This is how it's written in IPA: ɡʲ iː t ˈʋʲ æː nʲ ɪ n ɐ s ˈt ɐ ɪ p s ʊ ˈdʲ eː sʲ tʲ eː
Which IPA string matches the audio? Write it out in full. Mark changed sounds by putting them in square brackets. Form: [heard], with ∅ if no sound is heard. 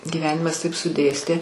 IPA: ɡʲ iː [∅] ˈʋʲ æː nʲ ɪ [m] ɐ s ˈt ɐ ɪ p s ʊ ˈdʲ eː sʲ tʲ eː